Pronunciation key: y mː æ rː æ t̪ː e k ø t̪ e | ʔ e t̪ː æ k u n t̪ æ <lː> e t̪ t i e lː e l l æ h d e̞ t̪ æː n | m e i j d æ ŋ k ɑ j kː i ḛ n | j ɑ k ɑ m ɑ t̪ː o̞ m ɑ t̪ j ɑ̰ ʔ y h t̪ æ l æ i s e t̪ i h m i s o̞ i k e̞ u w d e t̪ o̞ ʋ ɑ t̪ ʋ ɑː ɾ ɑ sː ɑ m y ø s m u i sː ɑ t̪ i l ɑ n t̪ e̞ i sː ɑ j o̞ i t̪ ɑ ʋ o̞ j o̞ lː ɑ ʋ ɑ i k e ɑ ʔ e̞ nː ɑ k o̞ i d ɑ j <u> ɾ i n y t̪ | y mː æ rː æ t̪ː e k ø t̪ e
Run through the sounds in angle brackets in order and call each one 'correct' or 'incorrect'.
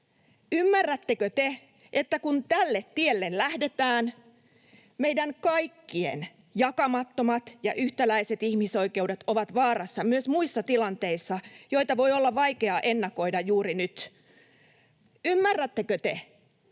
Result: correct, incorrect: uː

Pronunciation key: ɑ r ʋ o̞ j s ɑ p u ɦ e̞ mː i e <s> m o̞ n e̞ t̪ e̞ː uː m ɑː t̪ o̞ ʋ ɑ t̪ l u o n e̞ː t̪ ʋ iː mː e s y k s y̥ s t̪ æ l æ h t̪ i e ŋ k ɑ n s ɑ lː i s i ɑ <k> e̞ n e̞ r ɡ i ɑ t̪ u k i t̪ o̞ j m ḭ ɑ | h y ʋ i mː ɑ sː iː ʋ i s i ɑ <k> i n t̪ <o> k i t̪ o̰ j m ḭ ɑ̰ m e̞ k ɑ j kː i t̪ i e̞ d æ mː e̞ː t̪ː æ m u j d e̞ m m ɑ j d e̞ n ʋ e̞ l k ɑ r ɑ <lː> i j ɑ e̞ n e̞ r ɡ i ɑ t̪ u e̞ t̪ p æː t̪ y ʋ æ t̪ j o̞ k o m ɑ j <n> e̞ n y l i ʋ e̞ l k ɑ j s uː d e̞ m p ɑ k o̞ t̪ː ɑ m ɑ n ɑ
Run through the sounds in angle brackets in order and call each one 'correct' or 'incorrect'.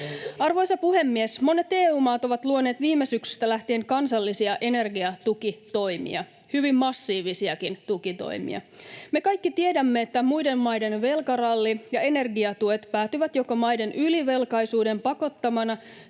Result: correct, incorrect: ʔ, correct, incorrect: u, correct, incorrect: d

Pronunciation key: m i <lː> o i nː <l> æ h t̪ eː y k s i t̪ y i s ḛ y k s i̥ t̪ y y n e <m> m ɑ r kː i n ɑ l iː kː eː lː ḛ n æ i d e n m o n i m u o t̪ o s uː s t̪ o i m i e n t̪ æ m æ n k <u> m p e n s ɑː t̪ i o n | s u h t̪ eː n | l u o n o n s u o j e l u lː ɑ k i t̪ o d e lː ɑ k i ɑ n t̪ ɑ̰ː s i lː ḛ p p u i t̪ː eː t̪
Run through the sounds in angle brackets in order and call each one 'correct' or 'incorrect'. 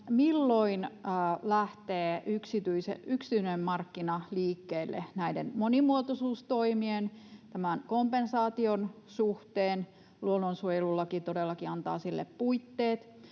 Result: correct, correct, correct, incorrect: o

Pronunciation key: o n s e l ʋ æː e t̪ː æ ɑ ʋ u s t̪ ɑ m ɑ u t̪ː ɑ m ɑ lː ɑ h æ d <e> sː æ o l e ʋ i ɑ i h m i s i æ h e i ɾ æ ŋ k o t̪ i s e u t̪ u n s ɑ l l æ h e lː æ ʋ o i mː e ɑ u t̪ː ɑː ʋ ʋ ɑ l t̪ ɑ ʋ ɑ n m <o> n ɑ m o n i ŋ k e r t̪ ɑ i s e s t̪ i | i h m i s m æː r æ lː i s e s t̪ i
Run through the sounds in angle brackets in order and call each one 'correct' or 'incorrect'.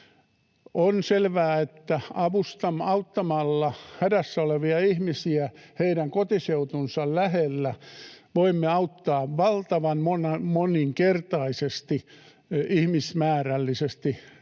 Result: incorrect: æ, correct

